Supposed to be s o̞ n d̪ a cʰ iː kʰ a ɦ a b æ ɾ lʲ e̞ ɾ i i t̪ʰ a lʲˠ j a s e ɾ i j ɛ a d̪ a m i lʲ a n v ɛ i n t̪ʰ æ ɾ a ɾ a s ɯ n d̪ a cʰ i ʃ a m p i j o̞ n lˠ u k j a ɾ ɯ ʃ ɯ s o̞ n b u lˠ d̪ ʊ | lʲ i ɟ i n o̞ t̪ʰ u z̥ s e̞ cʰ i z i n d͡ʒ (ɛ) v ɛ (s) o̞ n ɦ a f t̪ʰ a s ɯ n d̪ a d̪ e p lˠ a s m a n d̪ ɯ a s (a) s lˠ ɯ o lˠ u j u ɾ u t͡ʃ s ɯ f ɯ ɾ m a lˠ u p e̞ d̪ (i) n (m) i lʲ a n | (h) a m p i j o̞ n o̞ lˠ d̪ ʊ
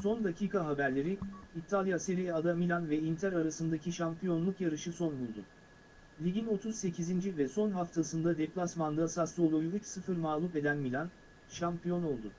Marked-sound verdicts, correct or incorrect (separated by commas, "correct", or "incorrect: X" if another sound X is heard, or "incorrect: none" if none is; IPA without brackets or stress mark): incorrect: i, correct, correct, incorrect: æ, correct, incorrect: ʃ